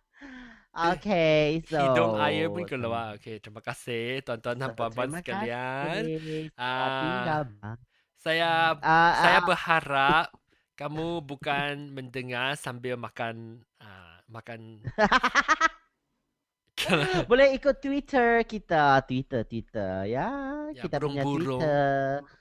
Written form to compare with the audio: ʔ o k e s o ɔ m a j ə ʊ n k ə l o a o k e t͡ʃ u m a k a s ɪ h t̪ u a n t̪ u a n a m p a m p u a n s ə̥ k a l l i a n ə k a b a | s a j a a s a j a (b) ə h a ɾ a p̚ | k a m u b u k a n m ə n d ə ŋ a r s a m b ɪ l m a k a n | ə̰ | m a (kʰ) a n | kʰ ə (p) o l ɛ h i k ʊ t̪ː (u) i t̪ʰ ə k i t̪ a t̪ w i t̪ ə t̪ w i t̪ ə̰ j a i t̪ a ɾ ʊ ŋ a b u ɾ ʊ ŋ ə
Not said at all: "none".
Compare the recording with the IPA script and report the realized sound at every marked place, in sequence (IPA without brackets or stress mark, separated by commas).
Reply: b, k, b, w